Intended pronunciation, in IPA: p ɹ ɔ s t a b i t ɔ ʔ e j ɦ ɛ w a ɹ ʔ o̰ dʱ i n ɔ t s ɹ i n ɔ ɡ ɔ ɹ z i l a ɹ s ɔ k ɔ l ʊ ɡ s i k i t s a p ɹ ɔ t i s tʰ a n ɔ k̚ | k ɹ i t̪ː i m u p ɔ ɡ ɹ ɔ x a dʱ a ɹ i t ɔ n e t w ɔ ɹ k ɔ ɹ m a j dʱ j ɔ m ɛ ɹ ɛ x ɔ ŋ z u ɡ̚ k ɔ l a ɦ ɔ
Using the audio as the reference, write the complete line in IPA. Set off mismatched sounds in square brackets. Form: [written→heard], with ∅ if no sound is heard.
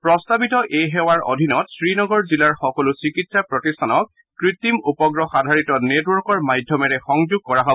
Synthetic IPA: p ɹ ɔ s t a b i t ɔ ʔ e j ɦ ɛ w a ɹ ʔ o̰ dʱ i n ɔ t s ɹ i n ɔ ɡ ɔ ɹ z i l a ɹ [s→x] ɔ k ɔ l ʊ [ɡ→∅] s i k i t s a p ɹ ɔ t i s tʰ a n ɔ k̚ | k ɹ i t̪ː i m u p ɔ ɡ ɹ ɔ x a dʱ a ɹ i t ɔ n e t w ɔ ɹ k ɔ ɹ m a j dʱ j ɔ m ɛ ɹ ɛ x ɔ ŋ z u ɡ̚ k ɔ [l→ɹ] a ɦ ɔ